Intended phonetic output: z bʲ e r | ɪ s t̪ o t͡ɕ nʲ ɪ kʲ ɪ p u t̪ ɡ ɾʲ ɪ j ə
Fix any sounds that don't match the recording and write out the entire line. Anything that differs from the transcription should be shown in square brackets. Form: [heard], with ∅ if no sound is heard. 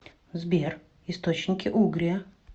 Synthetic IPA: z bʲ e r | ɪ s t̪ o t͡ɕ nʲ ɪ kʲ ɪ [ʔ] u [∅] ɡ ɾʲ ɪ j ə